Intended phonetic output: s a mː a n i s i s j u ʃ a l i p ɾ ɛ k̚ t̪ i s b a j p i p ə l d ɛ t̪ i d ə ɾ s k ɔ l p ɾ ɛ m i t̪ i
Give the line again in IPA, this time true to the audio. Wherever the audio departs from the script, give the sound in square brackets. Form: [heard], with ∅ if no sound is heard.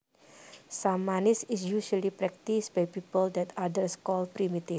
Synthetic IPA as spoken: s a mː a n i s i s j u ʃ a l i p ɾ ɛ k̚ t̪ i s b a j p i p ə l d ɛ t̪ [a] d ə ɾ s k ɔ l p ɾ [i] m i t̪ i